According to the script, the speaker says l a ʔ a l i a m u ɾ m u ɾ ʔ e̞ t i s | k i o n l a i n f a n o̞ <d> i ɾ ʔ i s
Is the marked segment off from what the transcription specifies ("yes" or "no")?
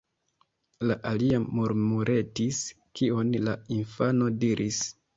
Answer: no